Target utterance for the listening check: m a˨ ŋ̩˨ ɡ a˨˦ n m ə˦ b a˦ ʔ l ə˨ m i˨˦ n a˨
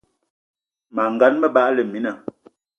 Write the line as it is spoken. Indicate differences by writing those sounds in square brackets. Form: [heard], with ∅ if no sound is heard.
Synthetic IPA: m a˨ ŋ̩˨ ɡ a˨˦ n m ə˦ b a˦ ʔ l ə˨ m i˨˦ n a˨

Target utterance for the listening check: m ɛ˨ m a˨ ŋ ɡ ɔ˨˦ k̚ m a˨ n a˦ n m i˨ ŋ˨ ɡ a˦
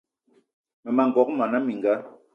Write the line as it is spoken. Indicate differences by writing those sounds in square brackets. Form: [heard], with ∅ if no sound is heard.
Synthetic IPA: m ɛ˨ m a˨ ŋ ɡ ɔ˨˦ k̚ m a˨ n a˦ [∅] m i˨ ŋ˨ ɡ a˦

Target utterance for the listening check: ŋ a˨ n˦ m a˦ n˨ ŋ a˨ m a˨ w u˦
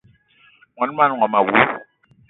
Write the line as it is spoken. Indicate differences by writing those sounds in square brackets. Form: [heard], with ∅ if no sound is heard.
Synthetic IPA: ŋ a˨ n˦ m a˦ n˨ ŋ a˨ m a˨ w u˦

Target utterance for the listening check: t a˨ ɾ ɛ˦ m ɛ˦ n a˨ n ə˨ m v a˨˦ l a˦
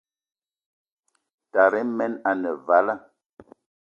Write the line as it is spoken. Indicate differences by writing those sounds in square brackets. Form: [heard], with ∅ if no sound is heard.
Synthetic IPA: t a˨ ɾ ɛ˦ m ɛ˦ n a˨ n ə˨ [∅] v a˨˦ l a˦

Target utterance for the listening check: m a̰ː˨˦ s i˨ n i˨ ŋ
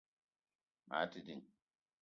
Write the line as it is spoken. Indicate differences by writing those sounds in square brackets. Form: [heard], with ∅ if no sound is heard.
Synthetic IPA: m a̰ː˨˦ [t] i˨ [d] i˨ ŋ

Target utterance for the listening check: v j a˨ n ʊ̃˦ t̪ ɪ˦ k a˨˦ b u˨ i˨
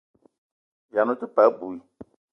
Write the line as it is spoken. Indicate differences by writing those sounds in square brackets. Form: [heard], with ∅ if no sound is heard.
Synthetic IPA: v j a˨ n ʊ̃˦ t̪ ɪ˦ [p] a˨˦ b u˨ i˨

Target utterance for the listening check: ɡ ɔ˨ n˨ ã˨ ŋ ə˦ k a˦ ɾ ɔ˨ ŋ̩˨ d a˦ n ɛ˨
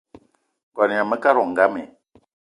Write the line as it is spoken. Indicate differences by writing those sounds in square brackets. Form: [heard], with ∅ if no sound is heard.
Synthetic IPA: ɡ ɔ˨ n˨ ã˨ [m] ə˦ k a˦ ɾ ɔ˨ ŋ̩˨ [ɡ] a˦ [m] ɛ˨

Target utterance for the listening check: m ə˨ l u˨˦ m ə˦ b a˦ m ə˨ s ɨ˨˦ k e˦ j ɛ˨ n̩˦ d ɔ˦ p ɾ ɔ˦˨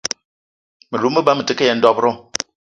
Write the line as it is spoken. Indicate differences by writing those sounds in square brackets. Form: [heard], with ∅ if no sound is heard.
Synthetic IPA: m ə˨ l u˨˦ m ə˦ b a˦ m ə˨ [t] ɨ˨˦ k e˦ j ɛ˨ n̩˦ d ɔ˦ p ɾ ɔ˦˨

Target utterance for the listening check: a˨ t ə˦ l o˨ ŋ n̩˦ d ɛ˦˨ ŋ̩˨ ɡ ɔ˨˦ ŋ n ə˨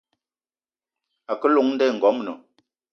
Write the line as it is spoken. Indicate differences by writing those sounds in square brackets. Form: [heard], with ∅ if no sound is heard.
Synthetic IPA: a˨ [k] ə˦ l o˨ ŋ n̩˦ d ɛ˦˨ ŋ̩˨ ɡ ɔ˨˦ [m] n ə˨

